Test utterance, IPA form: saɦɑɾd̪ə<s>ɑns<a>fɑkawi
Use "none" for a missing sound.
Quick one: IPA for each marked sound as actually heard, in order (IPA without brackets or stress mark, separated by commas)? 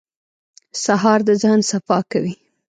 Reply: z, a